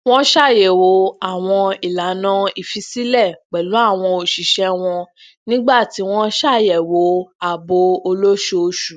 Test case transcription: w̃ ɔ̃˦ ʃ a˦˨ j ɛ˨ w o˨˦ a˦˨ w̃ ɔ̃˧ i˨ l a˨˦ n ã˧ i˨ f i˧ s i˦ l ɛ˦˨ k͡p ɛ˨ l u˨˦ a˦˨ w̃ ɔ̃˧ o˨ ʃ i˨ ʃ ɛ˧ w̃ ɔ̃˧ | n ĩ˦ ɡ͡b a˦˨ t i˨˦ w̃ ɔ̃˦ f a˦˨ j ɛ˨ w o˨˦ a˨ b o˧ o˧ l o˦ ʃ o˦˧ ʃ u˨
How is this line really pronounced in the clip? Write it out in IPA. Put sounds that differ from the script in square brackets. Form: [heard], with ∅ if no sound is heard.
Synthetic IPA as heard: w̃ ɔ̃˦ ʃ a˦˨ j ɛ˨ w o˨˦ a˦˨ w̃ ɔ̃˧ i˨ l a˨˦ n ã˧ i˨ f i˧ s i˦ l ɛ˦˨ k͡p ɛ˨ l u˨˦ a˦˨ w̃ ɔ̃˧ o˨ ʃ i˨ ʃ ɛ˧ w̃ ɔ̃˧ | n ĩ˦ ɡ͡b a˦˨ t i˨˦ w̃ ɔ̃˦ [ʃ] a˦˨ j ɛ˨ w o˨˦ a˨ b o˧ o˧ l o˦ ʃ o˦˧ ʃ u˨